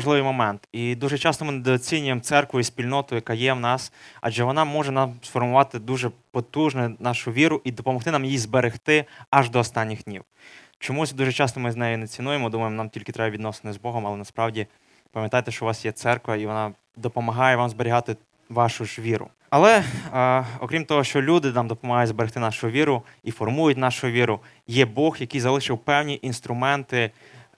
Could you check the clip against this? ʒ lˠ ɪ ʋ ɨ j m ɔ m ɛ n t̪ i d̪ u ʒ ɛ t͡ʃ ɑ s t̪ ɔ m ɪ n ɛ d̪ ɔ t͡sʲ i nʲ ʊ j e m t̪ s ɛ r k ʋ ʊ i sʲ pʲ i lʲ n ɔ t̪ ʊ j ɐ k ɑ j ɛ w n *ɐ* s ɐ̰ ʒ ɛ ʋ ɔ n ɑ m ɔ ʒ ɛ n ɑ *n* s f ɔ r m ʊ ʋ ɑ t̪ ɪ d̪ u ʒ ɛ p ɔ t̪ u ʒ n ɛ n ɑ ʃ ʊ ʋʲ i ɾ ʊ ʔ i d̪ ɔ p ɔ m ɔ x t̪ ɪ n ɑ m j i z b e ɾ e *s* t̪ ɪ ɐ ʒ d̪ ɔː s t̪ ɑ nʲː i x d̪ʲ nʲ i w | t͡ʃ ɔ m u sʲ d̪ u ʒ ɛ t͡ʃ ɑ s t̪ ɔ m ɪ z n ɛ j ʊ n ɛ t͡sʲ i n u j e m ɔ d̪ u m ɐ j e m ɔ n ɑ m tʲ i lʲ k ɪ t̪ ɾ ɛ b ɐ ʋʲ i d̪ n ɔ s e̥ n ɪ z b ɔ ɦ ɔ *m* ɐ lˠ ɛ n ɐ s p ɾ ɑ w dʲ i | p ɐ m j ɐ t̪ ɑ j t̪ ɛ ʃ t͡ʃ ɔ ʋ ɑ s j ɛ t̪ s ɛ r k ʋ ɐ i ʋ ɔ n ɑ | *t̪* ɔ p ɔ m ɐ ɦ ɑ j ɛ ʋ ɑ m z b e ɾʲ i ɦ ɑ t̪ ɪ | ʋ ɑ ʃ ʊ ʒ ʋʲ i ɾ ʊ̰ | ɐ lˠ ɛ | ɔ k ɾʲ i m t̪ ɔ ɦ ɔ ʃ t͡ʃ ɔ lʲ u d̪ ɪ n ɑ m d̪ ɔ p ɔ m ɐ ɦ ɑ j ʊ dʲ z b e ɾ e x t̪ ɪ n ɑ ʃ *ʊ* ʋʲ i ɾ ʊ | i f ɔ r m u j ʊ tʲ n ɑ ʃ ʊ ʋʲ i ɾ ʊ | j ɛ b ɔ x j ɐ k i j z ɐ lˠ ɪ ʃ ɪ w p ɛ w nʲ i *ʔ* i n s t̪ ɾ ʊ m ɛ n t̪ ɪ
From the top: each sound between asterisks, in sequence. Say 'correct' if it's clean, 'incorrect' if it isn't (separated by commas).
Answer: incorrect, incorrect, incorrect, correct, incorrect, correct, correct